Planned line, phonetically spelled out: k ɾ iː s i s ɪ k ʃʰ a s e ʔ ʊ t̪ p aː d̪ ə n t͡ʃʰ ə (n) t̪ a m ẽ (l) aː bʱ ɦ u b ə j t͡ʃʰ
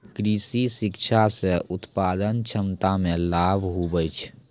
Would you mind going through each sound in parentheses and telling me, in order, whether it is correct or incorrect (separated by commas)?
incorrect, correct